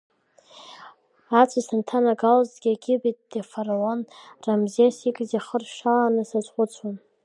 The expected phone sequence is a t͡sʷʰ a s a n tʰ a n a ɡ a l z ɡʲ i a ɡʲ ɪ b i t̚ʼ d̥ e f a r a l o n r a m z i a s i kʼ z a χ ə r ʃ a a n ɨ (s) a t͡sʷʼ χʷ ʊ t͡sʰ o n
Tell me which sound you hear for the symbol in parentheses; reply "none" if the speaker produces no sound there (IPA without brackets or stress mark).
s